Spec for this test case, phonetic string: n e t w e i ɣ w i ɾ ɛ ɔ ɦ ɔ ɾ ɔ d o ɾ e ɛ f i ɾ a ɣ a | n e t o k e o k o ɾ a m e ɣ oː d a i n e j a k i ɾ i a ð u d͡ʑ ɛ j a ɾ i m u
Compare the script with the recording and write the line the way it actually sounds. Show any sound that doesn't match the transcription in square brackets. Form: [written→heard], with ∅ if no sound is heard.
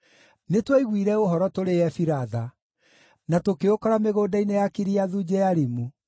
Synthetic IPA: n e t w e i ɣ w i ɾ ɛ [ɔ→o] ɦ ɔ ɾ ɔ [d→t] o ɾ e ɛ f i ɾ a [ɣ→ð] a | n [e→a] t o k e o k [o→ɔ] ɾ a m e ɣ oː d a i n e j a k i ɾ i a ð u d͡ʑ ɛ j a ɾ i m u